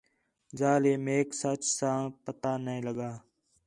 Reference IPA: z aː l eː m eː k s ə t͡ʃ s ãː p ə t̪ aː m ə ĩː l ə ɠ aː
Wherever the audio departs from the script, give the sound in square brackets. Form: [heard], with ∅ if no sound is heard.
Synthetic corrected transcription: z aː l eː m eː k s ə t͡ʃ s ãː p ə t̪ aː [n] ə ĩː l ə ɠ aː